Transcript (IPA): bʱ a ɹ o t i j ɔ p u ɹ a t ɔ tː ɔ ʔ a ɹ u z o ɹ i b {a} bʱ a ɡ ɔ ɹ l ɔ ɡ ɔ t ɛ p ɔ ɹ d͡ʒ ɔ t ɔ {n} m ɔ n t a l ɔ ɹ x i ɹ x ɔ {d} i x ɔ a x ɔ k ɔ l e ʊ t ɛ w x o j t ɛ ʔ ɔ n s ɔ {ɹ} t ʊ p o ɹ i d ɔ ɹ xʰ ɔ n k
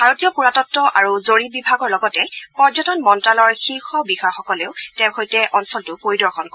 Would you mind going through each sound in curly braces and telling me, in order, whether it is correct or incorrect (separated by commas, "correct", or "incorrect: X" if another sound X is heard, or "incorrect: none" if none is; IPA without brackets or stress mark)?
incorrect: i, correct, incorrect: b, incorrect: l